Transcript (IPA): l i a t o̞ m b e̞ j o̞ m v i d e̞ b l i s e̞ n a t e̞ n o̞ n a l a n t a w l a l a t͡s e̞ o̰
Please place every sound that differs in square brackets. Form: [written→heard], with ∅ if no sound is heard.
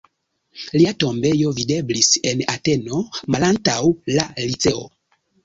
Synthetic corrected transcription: l i a t o̞ m b e̞ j o̞ [m→∅] v i d e̞ b l i s e̞ n a t e̞ n o̞ [n→m] a l a n t a w l a l [a→i] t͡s e̞ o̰